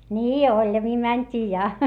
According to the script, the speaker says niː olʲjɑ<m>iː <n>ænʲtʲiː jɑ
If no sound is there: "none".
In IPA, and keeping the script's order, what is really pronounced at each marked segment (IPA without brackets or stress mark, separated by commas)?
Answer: m, m